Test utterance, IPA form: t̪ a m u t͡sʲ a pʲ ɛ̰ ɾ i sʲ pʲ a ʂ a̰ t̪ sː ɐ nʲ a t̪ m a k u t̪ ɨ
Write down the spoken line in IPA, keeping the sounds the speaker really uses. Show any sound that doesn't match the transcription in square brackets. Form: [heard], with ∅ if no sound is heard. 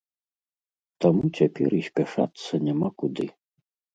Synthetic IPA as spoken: t̪ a m u t͡sʲ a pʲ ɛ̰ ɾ i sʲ pʲ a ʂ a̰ t̪ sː ɐ nʲ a [∅] m a k u [d̪] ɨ